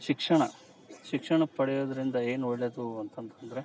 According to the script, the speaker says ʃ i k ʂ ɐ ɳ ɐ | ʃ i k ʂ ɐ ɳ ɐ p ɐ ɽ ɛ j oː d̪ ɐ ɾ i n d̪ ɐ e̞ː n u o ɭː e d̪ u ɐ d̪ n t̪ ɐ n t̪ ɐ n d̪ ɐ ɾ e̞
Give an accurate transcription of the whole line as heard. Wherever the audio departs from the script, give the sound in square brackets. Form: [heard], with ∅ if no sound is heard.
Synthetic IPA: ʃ i k ʂ ɐ ɳ ɐ | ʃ i k ʂ ɐ ɳ ɐ p ɐ ɽ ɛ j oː d̪ ɐ ɾ i n d̪ ɐ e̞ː n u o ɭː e d̪ u ɐ [∅] n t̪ ɐ n t̪ ɐ n d̪ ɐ ɾ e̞